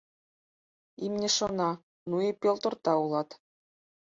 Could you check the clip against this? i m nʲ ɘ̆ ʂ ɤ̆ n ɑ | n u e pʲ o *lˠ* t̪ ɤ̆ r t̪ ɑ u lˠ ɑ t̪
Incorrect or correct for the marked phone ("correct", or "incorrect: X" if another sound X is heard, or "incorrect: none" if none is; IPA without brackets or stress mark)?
correct